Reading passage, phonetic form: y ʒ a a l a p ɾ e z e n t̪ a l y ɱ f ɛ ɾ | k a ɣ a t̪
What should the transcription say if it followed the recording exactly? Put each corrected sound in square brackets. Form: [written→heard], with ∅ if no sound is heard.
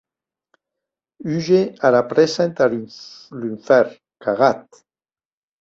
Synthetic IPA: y ʒ [a→e] a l a p ɾ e [z→s] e n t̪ a l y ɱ f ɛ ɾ | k a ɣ a t̪